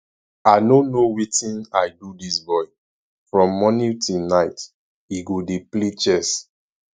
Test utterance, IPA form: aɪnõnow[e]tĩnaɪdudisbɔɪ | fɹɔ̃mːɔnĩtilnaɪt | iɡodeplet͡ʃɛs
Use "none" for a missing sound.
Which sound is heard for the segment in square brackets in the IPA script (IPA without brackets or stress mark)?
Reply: i